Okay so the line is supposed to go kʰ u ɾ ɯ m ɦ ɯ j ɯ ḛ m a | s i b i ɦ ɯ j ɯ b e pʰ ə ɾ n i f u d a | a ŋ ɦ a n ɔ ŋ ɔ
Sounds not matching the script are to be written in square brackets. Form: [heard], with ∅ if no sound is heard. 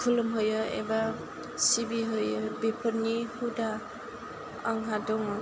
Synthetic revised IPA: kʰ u [l] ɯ m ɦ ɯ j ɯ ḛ [b] a | s i b i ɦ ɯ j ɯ b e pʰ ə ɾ n i [h] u d a | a ŋ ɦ a [d] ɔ ŋ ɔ

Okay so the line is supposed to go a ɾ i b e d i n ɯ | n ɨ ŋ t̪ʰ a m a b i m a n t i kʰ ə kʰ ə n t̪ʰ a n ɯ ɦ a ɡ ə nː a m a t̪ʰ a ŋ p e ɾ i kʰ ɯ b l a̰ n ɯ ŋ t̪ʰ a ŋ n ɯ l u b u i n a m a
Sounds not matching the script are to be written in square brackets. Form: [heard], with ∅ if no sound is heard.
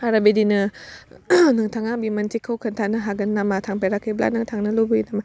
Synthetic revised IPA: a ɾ [a] b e d i n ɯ | n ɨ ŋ t̪ʰ a [ŋ] a b i m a n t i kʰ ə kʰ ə n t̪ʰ a n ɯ ɦ a ɡ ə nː a m a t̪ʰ a ŋ p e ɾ [a] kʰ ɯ b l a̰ n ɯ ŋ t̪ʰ a ŋ n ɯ l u b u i n a m a

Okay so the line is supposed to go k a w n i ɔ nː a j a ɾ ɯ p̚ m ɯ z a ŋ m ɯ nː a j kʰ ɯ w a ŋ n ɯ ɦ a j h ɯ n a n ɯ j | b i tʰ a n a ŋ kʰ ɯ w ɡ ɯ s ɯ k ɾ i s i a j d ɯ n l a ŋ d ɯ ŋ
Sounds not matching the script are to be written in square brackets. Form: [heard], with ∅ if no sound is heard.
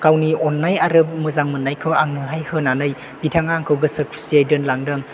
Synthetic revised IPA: k a w n i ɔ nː a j a ɾ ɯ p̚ m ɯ z a ŋ m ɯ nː a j kʰ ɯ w a ŋ n ɯ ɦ a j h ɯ n a n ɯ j | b i tʰ a [ŋ] a ŋ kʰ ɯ w ɡ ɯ s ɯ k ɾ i s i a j d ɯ n l a ŋ d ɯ ŋ

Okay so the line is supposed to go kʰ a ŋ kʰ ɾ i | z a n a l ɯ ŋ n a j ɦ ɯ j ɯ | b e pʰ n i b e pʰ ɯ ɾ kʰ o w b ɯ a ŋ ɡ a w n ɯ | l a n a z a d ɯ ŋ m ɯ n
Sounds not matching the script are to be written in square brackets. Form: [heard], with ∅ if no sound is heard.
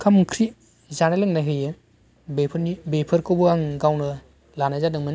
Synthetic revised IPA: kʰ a [m] kʰ ɾ i | z a n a l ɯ ŋ n a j ɦ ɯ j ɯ | b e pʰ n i b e pʰ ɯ ɾ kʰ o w b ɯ a ŋ ɡ a w n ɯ | l a n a z a d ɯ ŋ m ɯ n

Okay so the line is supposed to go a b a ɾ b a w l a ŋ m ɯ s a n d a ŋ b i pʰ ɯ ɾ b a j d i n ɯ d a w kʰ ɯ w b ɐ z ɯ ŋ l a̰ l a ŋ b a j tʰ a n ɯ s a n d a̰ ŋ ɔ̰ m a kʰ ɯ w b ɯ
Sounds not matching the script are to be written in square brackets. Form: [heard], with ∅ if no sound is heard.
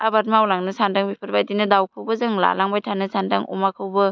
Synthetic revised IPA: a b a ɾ [m] a w l a ŋ [n] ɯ s a n d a ŋ b i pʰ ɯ ɾ b a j d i n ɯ d a w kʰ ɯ w b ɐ z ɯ ŋ l a̰ l a ŋ b a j tʰ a n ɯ s a n d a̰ ŋ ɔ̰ m a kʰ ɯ w b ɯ

